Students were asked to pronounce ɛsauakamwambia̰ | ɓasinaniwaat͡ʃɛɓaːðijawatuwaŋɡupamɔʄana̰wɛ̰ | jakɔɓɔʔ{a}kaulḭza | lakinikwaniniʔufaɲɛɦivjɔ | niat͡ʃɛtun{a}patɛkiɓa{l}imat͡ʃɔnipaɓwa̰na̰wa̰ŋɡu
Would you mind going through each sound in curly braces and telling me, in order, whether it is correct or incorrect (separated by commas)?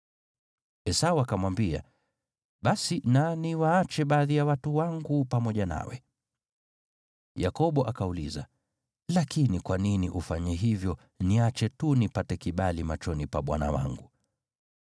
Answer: correct, incorrect, correct